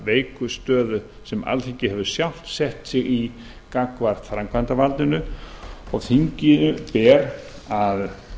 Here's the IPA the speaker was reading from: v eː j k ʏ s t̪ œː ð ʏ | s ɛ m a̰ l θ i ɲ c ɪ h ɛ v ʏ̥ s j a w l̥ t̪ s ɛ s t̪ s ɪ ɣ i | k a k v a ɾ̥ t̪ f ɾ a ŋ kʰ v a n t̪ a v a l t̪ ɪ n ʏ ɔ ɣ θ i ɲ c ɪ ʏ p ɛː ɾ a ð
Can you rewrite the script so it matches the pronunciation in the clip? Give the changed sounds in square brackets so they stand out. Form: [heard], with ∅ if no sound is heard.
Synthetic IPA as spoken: v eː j k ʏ s t̪ œː ð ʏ | s ɛ m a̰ l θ i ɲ c ɪ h ɛ v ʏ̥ s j a w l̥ t̪ s ɛ [h] t̪ s ɪ ɣ i | k a k v a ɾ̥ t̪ f ɾ a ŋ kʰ v a n t̪ a v a l t̪ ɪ n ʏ ɔ ɣ θ i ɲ c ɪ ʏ p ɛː ɾ a ð

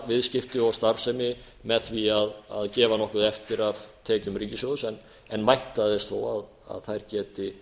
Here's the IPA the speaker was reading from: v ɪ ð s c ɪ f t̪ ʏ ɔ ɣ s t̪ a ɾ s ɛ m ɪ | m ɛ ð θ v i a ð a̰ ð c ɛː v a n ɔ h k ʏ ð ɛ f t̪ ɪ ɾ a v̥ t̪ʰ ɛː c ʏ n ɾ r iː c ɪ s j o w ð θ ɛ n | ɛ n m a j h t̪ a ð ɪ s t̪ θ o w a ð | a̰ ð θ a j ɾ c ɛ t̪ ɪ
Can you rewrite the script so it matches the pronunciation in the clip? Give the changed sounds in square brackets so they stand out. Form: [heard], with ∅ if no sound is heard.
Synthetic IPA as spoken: v ɪ ð s c ɪ f t̪ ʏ ɔ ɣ s t̪ a ɾ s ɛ m ɪ | m ɛ ð θ v i a ð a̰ ð c ɛː v a n ɔ h k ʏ ð ɛ f t̪ ɪ ɾ a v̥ t̪ʰ ɛː c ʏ [m] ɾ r iː c ɪ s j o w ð [s] ɛ n | ɛ n m a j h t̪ a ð ɪ s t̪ θ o w a ð | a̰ ð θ a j ɾ c [ɛː] t̪ ɪ

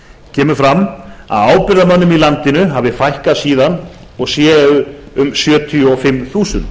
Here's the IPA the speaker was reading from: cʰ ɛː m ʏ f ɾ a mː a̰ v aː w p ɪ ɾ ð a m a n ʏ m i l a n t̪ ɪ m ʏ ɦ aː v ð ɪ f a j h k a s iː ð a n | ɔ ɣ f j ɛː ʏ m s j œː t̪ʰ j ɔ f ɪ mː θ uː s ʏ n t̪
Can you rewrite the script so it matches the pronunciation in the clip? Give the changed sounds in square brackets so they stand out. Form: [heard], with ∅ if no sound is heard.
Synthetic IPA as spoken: cʰ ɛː m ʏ f ɾ a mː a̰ [ð] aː w p ɪ ɾ ð a m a [nː] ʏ m i l a n t̪ ɪ [n] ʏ ɦ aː v ð ɪ f a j h k a s iː ð a n | ɔ ɣ [s] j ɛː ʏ m s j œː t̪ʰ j ɔ f ɪ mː θ uː s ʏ n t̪

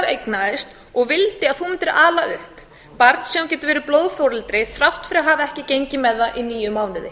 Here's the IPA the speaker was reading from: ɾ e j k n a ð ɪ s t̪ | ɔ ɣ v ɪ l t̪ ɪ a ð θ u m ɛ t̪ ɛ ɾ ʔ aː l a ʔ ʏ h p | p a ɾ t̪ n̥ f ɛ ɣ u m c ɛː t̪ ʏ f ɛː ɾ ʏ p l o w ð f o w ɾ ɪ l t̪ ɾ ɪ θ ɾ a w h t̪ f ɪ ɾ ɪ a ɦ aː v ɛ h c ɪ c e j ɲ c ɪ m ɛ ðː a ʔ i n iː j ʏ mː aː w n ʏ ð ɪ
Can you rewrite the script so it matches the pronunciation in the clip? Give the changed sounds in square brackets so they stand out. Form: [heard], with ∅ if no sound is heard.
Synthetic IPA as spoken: ɾ e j k n a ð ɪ s t̪ | ɔ ɣ v ɪ l t̪ ɪ a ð θ u m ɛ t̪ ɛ ɾ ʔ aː l a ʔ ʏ h p | p a ɾ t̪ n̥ [s] ɛ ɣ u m c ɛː t̪ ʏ [v] ɛː ɾ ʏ p l o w ð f o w ɾ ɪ l t̪ ɾ ɪ θ ɾ a w h t̪ f ɪ ɾ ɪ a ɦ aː v ɛ h c ɪ c e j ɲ c ɪ m ɛ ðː a ʔ i n iː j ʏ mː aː w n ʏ ð ɪ

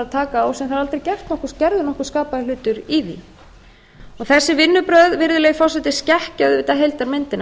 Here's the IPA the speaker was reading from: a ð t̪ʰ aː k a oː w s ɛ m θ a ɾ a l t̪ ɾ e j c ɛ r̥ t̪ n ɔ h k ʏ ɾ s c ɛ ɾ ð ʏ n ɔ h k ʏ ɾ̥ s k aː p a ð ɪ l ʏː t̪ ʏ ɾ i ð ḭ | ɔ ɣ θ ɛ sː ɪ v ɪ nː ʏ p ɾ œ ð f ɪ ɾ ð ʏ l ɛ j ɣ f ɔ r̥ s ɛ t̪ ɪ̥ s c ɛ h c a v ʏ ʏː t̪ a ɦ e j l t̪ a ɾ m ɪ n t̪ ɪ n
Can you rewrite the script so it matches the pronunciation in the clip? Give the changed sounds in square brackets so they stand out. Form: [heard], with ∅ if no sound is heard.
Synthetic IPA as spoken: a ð t̪ʰ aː k a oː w s ɛ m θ a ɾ a l t̪ ɾ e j c ɛ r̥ t̪ n ɔ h k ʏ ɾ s c ɛ ɾ ð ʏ n ɔ h k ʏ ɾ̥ s k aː p a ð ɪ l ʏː t̪ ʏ ɾ i ð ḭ | ɔ ɣ θ ɛ sː ɪ v ɪ nː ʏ p ɾ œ ð [v] ɪ ɾ ð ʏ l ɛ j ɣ f ɔ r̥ s ɛ t̪ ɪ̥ s c ɛ h c a [ð] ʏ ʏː t̪ a ɦ e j l t̪ a ɾ m ɪ n t̪ ɪ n

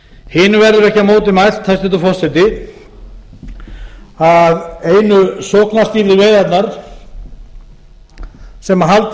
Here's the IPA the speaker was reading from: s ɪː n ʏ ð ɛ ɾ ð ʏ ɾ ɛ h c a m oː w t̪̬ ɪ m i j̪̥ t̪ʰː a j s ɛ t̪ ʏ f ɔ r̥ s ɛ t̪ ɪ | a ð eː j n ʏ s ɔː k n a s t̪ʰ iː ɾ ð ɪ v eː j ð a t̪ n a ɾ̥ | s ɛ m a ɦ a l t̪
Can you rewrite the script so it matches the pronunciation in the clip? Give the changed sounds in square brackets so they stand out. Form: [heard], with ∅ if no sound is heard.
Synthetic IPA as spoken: [h] ɪː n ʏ [v] ɛ ɾ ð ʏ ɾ ɛ h c a m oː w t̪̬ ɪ m [a] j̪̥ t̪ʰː a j s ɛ t̪ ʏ f ɔ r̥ s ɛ t̪ ɪ | a ð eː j n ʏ s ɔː k n a s [t̪] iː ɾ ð ɪ v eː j ð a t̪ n a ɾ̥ | s ɛ m a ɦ a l t̪

